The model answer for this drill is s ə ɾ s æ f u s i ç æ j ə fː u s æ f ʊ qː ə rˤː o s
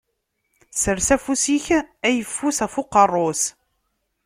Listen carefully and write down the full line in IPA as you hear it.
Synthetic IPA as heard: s ə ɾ s æ f u s i ç æ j ə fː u s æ f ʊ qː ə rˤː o s